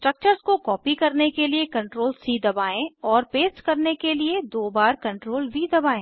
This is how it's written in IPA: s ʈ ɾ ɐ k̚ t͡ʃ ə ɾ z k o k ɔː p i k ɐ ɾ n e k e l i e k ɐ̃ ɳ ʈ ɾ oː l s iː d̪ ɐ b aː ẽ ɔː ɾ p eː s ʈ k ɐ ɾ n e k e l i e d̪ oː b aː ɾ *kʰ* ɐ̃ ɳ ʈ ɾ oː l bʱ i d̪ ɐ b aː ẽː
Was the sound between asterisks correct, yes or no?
no